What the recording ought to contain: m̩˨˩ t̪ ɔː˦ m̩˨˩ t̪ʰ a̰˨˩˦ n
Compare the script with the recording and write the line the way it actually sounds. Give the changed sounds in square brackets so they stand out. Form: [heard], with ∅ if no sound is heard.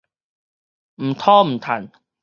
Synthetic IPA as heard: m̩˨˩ [t̪ʰ] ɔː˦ m̩˨˩ t̪ʰ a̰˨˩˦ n